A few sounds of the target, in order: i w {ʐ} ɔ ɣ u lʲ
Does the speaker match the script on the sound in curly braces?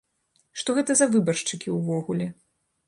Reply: no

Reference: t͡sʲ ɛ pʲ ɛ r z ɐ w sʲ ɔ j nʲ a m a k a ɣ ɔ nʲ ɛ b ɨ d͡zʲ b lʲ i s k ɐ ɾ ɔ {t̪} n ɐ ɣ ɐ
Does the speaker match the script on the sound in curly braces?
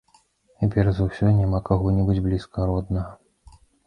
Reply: no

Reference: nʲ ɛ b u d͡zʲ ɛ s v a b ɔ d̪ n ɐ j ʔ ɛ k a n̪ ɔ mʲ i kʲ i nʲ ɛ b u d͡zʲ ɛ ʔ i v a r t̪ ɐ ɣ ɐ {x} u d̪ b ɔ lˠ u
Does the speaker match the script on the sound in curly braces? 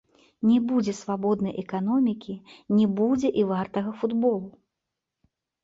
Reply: no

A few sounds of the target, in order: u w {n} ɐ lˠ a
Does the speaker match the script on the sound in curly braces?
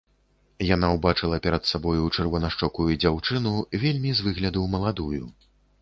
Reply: no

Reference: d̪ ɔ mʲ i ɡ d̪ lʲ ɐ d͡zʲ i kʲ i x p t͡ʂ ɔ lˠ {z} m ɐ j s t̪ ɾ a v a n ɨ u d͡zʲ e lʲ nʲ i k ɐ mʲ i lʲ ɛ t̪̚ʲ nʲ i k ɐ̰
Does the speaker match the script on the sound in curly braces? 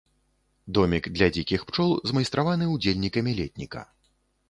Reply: yes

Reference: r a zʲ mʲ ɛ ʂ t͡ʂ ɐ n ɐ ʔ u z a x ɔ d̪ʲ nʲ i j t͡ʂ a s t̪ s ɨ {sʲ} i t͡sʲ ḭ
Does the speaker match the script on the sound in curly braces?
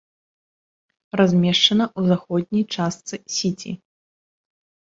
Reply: yes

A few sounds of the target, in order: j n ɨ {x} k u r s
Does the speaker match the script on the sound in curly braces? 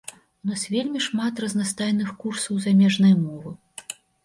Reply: yes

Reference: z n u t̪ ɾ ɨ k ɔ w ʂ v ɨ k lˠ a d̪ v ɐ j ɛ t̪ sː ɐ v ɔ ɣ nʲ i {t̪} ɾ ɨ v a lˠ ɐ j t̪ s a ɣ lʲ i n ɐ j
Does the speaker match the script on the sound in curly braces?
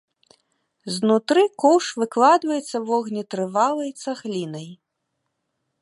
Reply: yes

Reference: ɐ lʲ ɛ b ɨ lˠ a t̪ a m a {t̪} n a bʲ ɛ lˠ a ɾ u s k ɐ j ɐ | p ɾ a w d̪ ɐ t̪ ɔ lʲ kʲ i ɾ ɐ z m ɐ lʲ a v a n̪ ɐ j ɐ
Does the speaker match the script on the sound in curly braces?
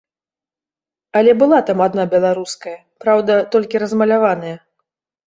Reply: no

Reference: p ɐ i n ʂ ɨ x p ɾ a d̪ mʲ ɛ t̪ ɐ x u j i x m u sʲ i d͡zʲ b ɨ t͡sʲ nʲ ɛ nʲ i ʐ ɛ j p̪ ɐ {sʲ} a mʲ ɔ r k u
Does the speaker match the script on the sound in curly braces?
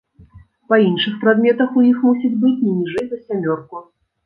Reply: yes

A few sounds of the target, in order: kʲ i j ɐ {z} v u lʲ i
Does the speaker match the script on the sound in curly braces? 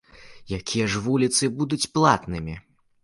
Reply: no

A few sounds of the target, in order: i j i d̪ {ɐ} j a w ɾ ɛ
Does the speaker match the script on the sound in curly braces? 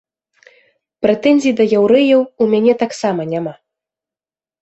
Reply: yes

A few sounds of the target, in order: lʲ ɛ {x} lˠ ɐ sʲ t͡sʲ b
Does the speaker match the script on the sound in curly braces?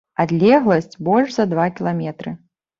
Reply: no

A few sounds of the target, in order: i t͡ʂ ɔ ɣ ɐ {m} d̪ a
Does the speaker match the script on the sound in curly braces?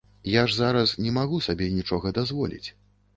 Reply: no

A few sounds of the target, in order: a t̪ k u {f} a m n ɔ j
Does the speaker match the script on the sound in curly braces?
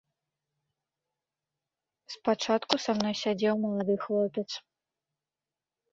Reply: no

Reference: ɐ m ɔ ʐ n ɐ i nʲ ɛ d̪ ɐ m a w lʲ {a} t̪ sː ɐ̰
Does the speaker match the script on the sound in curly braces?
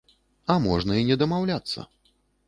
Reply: yes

